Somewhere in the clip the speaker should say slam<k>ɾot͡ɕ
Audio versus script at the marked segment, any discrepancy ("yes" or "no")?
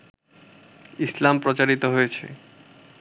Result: yes